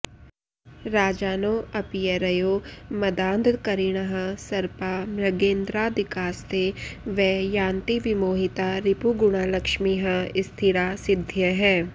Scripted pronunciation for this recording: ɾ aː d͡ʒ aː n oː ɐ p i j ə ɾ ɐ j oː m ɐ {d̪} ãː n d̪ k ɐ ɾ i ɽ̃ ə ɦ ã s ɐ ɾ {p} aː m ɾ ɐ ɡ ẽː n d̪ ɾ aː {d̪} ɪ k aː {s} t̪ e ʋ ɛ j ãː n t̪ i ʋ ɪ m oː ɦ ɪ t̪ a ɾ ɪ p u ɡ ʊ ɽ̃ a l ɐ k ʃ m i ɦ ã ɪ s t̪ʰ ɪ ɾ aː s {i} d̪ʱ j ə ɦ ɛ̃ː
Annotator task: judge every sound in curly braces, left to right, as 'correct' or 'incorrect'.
correct, correct, correct, correct, incorrect: ɪ

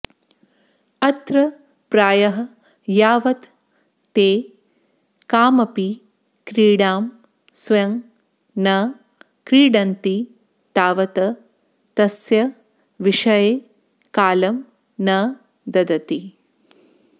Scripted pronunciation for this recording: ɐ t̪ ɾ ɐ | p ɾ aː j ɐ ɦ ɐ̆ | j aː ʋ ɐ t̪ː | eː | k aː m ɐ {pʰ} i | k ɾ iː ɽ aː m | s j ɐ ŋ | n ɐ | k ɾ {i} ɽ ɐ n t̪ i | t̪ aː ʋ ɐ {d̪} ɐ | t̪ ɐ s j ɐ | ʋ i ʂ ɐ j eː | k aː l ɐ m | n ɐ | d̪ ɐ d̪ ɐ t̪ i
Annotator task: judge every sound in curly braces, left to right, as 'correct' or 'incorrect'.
incorrect: p, incorrect: iː, incorrect: t̪

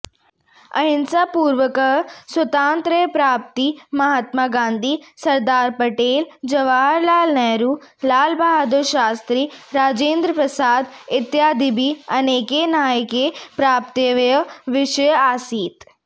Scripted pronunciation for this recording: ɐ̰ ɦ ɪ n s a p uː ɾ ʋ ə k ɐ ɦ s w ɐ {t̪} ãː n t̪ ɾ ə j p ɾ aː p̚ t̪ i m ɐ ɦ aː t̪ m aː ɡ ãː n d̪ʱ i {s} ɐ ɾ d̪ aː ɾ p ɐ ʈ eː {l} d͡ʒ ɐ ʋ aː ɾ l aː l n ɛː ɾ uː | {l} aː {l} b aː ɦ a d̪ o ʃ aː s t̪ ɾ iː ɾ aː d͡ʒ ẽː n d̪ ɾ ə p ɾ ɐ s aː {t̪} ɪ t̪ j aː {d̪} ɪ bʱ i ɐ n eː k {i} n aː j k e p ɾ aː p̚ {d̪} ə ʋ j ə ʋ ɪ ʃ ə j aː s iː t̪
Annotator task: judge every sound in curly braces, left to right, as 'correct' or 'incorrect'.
correct, correct, correct, correct, correct, incorrect: d̪, correct, incorrect: e, incorrect: t̪

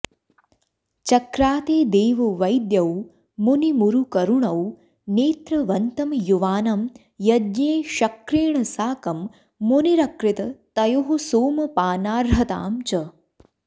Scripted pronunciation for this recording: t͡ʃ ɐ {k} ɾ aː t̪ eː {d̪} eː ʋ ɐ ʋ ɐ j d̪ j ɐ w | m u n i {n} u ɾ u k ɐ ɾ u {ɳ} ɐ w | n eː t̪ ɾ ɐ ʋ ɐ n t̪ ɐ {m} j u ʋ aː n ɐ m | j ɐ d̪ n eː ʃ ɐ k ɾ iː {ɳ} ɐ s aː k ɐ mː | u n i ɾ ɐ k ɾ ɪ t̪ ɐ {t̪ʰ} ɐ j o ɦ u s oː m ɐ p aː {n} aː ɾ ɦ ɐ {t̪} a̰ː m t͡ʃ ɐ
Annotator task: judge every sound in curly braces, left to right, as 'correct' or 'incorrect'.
correct, correct, incorrect: m, correct, correct, correct, incorrect: t̪, correct, correct

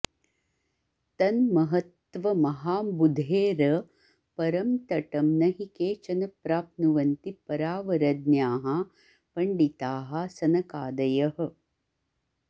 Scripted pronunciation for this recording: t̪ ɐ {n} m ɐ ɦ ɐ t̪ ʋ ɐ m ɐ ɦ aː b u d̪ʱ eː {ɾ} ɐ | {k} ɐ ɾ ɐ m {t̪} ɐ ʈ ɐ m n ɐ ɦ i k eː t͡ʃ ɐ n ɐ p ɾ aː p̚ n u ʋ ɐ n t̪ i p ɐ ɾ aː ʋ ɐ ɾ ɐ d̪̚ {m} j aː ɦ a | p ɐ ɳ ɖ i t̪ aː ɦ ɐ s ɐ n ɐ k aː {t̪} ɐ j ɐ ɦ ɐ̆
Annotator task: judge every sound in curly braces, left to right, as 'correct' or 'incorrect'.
correct, correct, incorrect: p, correct, incorrect: n, incorrect: d̪

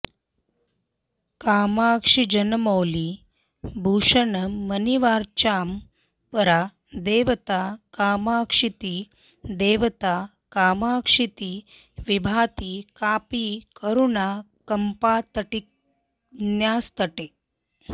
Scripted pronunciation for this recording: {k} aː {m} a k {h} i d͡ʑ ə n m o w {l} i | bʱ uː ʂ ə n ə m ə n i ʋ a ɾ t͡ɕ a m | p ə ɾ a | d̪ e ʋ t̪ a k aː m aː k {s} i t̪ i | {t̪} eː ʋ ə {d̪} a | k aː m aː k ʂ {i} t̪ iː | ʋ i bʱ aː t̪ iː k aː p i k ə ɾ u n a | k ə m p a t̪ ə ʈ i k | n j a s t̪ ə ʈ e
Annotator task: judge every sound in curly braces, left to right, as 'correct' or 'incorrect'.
correct, correct, incorrect: ʂ, correct, incorrect: ʂ, incorrect: d̪, incorrect: t̪, correct

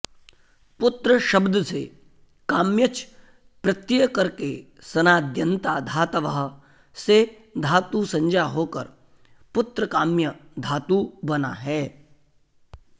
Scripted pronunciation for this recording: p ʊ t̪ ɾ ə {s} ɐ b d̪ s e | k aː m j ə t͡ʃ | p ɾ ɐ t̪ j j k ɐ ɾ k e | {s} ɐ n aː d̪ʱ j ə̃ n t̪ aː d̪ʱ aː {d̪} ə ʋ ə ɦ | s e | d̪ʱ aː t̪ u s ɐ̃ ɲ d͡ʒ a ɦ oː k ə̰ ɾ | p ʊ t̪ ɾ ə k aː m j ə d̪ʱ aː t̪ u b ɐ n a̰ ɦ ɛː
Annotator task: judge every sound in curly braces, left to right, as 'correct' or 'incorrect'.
incorrect: ʃ, correct, incorrect: t̪

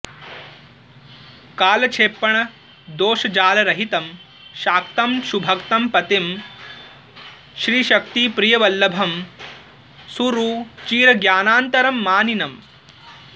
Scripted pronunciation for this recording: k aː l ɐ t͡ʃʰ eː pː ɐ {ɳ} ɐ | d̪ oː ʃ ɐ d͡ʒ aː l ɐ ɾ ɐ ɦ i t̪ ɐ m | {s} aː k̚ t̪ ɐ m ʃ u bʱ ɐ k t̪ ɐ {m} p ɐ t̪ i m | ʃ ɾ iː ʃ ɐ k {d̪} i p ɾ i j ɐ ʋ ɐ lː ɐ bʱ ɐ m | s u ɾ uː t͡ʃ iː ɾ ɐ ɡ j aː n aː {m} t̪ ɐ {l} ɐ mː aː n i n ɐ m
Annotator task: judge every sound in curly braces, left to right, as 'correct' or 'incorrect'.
correct, incorrect: ʃ, correct, incorrect: t̪, incorrect: n, incorrect: ɾ

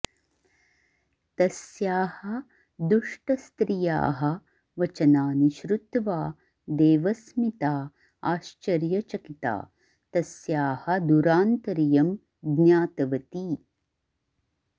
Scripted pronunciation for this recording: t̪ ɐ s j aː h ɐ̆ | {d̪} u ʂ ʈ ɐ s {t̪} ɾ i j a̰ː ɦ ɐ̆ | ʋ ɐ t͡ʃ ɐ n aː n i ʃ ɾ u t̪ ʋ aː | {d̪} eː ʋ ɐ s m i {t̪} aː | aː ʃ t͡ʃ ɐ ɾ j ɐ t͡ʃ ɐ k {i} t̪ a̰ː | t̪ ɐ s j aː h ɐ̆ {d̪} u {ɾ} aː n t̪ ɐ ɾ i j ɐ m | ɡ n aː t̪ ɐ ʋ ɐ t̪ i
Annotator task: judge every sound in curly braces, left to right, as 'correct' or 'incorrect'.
correct, correct, correct, correct, correct, correct, correct

